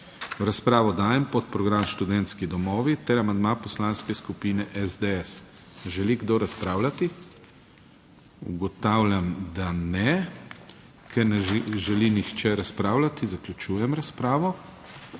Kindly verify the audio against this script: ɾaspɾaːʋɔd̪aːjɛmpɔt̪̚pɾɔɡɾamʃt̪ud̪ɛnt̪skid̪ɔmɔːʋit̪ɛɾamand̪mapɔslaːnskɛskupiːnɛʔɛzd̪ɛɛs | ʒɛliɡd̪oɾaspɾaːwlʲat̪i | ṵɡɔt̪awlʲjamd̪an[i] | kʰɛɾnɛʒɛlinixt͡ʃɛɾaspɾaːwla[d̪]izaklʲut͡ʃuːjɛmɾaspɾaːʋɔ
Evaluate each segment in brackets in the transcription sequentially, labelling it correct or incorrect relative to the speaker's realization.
incorrect, incorrect

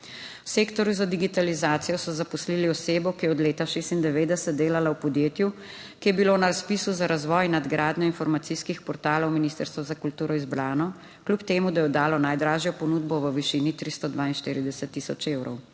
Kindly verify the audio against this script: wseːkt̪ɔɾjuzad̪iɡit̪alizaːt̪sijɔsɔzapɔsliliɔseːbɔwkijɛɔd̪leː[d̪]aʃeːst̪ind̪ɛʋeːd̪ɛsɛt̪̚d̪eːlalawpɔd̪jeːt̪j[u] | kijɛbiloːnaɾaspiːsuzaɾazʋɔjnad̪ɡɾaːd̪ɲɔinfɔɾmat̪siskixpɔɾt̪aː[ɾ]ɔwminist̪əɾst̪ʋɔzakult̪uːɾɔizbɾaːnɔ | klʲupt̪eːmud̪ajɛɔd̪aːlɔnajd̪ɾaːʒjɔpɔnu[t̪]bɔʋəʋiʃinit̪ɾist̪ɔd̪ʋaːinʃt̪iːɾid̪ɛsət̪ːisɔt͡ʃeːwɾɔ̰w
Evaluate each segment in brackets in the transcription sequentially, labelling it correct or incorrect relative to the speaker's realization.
incorrect, correct, incorrect, incorrect

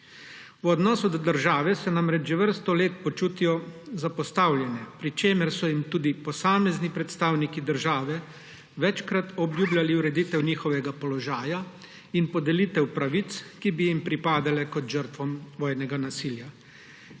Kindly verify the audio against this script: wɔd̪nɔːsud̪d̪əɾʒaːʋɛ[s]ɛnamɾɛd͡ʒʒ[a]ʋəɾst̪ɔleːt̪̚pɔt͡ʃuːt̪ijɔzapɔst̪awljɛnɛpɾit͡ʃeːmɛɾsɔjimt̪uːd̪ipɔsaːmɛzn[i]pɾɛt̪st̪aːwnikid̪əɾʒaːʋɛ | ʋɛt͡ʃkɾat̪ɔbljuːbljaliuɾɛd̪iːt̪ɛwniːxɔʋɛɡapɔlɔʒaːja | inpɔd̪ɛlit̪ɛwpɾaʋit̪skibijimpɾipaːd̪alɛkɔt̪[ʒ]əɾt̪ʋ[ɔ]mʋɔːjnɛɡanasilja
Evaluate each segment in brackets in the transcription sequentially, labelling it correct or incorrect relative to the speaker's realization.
correct, incorrect, correct, correct, correct

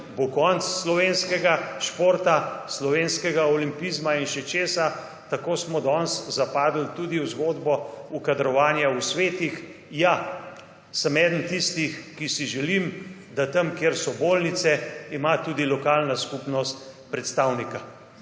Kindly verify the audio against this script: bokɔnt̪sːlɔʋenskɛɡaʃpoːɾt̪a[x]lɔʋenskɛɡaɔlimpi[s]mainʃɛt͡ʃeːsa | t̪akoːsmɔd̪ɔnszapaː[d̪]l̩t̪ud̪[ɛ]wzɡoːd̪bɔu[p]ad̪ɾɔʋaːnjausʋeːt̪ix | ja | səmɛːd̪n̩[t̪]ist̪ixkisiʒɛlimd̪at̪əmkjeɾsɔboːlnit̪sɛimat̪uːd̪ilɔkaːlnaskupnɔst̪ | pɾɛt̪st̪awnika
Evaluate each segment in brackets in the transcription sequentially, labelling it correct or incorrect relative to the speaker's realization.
incorrect, incorrect, correct, incorrect, incorrect, correct

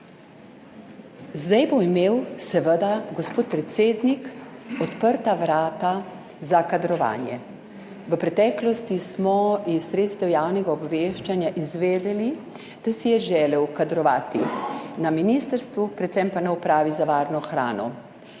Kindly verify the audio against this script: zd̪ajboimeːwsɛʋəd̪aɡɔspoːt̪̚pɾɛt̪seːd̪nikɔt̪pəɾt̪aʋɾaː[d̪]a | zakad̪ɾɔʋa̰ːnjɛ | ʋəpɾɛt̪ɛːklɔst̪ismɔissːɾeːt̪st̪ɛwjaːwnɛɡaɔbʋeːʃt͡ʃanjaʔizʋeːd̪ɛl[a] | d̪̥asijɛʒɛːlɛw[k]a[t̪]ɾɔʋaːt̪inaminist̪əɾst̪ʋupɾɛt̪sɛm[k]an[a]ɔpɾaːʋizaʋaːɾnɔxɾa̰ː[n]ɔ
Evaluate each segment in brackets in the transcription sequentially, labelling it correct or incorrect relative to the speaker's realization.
incorrect, incorrect, correct, incorrect, incorrect, incorrect, correct

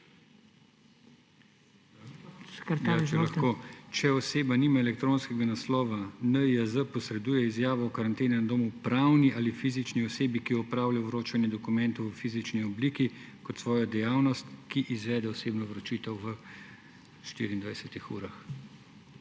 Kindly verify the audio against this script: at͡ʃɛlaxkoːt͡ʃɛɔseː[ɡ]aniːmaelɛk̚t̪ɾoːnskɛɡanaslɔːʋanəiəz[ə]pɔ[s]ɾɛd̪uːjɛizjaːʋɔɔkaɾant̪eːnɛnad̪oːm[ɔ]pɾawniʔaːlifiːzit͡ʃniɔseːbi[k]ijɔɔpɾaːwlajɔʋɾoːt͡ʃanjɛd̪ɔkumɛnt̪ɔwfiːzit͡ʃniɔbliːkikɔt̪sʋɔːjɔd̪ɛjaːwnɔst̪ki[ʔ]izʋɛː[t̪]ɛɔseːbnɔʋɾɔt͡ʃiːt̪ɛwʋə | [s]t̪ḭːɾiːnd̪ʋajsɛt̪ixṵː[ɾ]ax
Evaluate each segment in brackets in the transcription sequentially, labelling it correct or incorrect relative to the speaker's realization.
incorrect, correct, correct, incorrect, correct, correct, incorrect, incorrect, correct

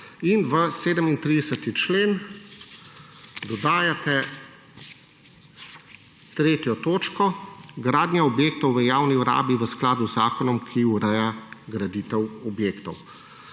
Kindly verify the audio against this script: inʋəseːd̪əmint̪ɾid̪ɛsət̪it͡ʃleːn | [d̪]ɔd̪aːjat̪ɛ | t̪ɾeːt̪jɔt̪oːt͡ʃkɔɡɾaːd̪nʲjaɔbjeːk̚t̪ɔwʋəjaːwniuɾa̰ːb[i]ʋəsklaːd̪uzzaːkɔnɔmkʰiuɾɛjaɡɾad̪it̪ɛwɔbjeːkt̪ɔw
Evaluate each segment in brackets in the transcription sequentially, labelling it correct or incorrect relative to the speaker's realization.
correct, correct

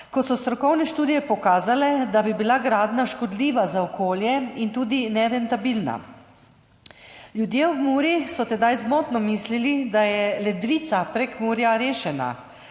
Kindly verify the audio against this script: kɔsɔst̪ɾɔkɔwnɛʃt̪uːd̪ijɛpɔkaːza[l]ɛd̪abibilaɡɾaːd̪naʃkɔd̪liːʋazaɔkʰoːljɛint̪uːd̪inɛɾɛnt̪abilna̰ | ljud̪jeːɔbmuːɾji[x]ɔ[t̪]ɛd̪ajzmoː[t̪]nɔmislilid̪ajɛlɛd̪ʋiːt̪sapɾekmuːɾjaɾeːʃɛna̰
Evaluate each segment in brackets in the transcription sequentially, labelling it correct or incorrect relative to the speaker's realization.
correct, incorrect, correct, correct

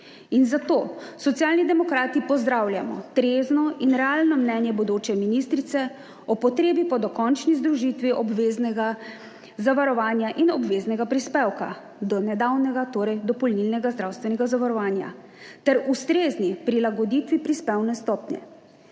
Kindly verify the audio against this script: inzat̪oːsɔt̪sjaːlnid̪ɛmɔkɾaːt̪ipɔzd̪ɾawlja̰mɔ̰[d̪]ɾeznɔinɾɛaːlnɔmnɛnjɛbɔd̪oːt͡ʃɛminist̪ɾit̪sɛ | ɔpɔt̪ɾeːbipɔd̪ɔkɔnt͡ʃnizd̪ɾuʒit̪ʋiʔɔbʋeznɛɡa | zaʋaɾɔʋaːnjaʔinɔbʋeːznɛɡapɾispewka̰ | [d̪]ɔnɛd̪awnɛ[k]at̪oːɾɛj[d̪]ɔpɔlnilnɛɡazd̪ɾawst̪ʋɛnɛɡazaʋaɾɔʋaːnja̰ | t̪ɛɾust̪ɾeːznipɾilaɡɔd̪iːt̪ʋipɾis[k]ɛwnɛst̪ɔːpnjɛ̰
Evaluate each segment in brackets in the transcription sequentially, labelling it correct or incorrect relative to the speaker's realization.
incorrect, correct, incorrect, correct, incorrect

